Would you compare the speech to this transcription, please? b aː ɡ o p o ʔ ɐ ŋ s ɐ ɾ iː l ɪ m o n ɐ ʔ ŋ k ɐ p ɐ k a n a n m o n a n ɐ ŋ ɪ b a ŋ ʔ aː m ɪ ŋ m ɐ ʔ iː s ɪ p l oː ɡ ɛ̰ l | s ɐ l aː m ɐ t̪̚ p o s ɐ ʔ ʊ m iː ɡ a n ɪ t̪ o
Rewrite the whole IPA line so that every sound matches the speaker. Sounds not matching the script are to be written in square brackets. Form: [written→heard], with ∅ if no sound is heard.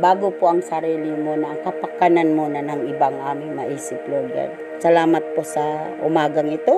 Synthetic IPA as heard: b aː ɡ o p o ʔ ɐ ŋ s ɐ ɾ iː l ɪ m o n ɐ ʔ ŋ k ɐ p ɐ k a n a n m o n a n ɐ ŋ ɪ b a ŋ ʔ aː m ɪ ŋ m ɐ ʔ iː s ɪ p l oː ɡ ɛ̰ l | s ɐ l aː m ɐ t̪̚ p o s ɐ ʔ ʊ m [iː→aː] ɡ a [n→ŋ] ɪ t̪ o